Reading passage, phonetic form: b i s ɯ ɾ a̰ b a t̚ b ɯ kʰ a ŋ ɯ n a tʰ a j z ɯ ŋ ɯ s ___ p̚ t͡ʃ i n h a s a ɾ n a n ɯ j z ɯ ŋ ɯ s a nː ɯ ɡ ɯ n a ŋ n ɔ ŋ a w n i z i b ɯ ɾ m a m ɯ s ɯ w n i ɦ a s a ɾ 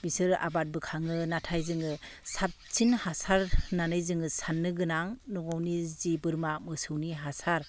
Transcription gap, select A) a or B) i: A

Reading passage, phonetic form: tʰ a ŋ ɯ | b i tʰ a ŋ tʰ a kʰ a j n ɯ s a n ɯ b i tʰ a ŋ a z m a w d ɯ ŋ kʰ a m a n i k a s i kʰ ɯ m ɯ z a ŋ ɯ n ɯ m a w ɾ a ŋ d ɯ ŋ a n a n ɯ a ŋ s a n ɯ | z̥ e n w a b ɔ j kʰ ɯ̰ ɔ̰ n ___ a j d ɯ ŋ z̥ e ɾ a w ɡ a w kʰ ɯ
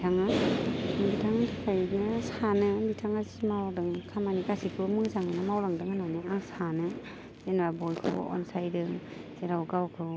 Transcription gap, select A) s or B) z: A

